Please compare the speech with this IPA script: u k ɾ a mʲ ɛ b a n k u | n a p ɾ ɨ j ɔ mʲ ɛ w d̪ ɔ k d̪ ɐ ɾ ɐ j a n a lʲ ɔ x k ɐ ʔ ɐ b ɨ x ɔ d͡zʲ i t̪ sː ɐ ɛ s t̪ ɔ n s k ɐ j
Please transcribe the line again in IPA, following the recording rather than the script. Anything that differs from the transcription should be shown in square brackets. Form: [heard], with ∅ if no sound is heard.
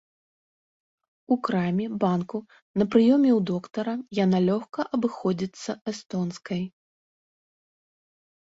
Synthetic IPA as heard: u k ɾ a mʲ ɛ b a n k u | n [ɐ] p ɾ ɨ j ɔ mʲ ɛ w d̪ ɔ k [t̪] ɐ ɾ ɐ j a n a lʲ ɔ x k ɐ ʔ ɐ b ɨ x ɔ d͡zʲ i t̪ sː ɐ ɛ s t̪ ɔ n s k ɐ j